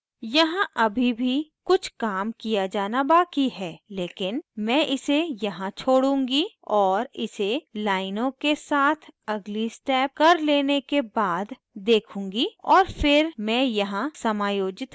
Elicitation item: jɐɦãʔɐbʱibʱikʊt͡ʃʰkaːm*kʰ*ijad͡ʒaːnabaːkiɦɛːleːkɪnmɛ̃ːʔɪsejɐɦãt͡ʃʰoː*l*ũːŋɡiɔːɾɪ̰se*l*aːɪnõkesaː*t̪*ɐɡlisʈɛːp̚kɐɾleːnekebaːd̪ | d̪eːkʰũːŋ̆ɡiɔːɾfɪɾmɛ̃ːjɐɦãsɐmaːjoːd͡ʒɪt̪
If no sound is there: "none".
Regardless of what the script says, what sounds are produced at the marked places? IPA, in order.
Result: k, ɽ, l, t̪ʰ

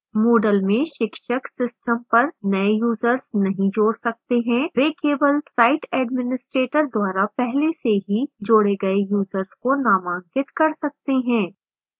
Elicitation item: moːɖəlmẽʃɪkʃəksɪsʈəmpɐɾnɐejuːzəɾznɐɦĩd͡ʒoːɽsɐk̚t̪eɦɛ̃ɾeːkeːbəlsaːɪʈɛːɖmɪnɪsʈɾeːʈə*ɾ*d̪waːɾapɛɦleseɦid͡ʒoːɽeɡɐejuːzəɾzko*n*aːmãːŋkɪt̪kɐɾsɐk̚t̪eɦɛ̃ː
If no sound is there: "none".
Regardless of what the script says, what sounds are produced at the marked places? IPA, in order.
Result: ɾ, n

